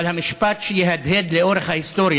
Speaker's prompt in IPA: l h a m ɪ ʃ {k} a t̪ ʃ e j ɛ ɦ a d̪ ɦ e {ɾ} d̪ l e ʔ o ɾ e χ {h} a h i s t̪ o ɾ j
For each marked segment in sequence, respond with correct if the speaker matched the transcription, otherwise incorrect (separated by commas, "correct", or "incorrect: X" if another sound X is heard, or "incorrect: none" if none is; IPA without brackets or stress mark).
incorrect: p, incorrect: none, correct